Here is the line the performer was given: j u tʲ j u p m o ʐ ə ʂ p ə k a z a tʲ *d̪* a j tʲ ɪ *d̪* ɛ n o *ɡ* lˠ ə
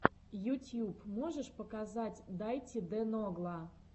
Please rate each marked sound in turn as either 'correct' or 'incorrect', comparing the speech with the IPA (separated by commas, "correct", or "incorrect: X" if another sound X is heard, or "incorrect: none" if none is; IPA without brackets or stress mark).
correct, correct, correct